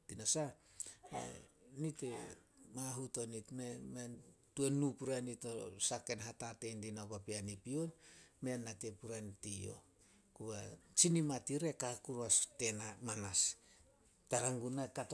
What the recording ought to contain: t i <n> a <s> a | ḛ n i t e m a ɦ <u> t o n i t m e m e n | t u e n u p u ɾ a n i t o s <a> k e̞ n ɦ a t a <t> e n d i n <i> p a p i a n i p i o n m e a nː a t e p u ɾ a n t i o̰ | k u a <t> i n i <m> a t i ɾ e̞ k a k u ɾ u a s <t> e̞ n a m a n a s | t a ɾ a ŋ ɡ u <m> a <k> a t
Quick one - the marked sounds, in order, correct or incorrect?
correct, correct, correct, correct, correct, incorrect: a, incorrect: t͡ʃ, correct, correct, incorrect: n, correct

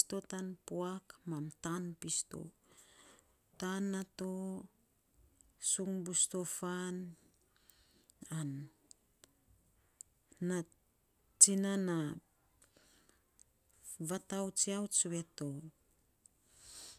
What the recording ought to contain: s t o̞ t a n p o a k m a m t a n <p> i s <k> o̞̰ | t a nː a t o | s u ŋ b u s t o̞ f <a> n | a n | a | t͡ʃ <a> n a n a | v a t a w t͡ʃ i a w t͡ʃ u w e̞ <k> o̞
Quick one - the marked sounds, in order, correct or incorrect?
correct, incorrect: t, correct, incorrect: i, incorrect: t

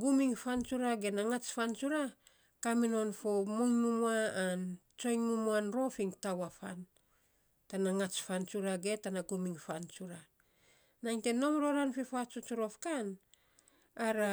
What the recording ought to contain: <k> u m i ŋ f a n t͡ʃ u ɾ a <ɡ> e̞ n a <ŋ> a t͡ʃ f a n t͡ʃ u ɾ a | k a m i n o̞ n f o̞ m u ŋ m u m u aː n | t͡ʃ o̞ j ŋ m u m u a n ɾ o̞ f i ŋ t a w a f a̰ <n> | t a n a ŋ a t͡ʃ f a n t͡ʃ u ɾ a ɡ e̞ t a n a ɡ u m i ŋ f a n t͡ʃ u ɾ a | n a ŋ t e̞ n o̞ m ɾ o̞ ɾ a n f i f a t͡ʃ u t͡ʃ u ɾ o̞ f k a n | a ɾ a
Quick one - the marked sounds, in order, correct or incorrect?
incorrect: ɡ, correct, correct, correct

